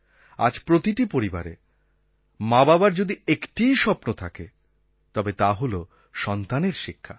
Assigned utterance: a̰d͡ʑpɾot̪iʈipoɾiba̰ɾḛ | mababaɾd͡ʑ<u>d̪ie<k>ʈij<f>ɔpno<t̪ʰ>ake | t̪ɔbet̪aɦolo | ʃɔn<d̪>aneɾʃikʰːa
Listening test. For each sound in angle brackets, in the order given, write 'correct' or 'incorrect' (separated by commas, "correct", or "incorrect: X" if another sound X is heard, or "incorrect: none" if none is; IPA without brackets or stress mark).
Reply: incorrect: o, correct, incorrect: ʃ, correct, incorrect: t̪